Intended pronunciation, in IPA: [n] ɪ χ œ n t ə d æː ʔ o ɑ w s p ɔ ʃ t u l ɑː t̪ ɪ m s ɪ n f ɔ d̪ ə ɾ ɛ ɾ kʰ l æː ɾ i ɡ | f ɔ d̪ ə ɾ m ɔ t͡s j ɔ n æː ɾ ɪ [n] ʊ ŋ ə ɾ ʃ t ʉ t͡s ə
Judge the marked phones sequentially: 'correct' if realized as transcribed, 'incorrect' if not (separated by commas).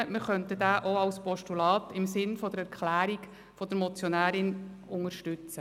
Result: incorrect, correct